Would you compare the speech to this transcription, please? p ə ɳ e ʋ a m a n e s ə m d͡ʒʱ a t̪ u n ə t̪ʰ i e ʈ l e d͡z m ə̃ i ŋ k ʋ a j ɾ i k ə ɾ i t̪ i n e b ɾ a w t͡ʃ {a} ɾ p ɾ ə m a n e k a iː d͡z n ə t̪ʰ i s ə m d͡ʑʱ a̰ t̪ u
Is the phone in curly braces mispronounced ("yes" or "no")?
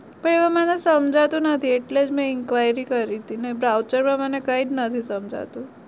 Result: yes